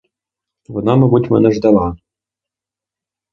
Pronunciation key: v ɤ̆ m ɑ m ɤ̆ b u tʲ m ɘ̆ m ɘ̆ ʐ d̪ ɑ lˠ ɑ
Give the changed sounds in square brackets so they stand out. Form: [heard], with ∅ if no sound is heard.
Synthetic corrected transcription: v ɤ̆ [n] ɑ m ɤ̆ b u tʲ m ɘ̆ [n] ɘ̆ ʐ d̪ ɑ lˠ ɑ